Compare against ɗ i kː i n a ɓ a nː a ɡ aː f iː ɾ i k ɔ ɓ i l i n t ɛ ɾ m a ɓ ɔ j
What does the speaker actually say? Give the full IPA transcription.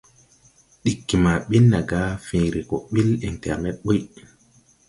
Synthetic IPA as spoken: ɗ i kː i m a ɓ i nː a ɡ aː f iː ɾ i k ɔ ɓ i l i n t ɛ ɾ m ɛ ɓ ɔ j